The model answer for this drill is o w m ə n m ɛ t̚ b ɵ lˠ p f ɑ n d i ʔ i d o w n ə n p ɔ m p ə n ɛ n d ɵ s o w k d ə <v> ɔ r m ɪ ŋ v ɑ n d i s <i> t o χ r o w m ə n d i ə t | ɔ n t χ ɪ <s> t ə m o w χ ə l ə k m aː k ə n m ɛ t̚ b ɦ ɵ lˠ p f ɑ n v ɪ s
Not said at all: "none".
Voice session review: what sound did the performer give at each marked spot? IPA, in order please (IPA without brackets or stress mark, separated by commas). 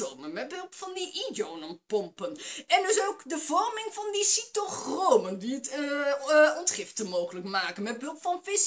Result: v, i, f